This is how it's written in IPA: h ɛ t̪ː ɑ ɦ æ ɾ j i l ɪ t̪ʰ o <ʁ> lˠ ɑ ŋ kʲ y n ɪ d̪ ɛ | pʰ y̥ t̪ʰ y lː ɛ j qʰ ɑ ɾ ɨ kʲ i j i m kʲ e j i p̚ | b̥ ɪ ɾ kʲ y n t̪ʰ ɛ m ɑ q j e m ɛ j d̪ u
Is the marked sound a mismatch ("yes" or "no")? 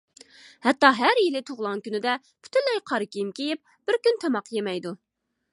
no